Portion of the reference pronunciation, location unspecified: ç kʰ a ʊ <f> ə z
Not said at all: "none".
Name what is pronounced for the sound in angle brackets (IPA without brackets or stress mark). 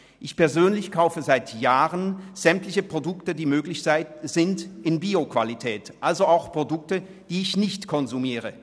f